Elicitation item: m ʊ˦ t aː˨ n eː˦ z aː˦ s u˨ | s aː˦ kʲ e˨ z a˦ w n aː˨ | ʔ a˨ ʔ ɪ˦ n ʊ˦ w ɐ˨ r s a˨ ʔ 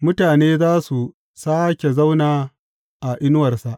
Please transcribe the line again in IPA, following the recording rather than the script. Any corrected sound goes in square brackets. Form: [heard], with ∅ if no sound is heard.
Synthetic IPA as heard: m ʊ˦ t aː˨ n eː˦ z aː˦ s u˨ | s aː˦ kʲ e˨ z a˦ w n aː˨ | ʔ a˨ ʔ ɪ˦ n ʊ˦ w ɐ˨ r s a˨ ʔ